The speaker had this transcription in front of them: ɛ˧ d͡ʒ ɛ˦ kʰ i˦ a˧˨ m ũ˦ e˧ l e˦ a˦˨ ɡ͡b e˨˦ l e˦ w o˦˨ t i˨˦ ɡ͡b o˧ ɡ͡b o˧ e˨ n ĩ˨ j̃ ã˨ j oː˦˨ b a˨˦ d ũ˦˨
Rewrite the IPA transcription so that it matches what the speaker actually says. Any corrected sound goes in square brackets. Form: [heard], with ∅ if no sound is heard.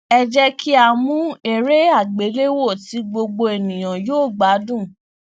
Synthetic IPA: ɛ˧ d͡ʒ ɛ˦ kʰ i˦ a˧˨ m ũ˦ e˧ [ɾ] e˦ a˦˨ ɡ͡b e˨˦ l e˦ w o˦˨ t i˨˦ ɡ͡b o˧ ɡ͡b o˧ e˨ n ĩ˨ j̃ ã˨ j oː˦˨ [ɡ͡b] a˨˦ d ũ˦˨